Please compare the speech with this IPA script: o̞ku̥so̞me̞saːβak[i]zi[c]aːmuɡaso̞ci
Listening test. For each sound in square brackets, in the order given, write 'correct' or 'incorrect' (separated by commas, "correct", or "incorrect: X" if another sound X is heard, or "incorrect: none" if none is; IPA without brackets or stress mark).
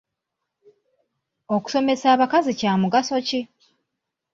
incorrect: a, correct